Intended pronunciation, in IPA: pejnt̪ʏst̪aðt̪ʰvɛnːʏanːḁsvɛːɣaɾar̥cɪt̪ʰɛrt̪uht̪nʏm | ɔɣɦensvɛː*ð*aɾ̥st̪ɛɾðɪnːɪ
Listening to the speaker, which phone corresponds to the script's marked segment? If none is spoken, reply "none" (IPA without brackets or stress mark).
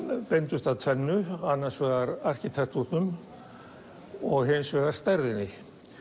ɣ